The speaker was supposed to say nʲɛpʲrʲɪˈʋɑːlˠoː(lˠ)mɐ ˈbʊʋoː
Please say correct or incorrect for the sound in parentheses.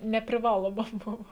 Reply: incorrect